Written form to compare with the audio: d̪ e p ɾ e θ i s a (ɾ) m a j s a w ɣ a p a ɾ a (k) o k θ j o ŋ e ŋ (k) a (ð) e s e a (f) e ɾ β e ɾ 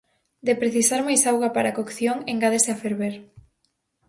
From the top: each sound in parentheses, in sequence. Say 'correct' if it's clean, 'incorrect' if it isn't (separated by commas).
correct, correct, incorrect, correct, correct